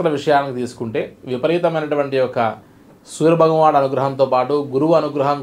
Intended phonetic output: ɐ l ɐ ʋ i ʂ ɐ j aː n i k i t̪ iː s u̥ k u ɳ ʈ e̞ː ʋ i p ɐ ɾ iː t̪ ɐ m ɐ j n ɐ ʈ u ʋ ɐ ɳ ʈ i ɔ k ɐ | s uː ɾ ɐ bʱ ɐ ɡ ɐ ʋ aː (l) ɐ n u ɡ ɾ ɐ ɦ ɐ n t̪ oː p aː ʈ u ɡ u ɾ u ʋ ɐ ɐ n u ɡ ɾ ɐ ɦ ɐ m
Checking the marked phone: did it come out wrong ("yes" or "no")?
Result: yes